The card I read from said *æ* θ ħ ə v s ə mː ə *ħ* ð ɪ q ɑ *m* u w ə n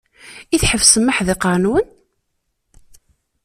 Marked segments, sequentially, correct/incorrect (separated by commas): incorrect, correct, incorrect